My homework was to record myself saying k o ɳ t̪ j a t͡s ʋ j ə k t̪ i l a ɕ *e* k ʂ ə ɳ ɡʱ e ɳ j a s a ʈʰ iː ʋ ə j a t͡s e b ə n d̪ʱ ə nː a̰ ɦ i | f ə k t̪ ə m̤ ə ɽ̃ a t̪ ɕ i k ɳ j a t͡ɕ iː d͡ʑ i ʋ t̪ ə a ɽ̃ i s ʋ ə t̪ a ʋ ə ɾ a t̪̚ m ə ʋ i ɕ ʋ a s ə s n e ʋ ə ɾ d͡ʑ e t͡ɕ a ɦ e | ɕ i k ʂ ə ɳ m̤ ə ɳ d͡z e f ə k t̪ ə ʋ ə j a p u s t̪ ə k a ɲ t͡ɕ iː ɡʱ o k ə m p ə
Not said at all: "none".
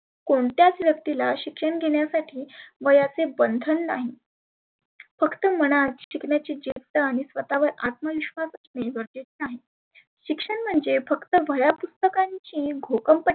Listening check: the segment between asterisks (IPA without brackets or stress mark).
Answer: i